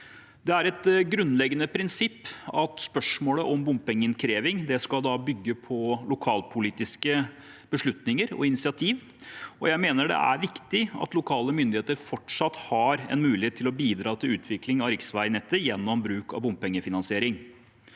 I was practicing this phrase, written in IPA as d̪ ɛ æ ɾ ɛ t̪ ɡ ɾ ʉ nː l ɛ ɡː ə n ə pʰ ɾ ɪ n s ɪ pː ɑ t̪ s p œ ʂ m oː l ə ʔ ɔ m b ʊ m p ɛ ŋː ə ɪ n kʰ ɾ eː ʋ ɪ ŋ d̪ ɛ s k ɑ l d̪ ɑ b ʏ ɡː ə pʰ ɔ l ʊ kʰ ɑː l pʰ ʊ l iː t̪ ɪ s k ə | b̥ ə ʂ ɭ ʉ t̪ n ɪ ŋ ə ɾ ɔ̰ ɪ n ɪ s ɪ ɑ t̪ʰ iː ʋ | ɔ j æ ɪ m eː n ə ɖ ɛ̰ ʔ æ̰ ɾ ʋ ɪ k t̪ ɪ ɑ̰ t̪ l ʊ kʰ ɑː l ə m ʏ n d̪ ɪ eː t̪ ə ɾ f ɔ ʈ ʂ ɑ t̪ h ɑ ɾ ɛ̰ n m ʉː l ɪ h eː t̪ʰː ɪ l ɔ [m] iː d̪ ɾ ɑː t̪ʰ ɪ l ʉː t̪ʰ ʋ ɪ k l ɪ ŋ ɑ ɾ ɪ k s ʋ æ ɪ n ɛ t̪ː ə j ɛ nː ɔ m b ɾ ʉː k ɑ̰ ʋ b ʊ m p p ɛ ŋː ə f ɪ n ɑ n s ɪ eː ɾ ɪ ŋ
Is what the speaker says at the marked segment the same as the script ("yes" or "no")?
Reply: no